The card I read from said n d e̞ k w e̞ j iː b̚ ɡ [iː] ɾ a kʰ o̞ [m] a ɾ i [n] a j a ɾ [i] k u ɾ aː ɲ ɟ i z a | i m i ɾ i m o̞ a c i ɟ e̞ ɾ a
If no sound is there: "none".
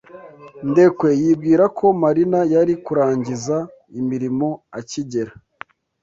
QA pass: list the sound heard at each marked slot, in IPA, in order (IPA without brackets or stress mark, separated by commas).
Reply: iː, m, n, i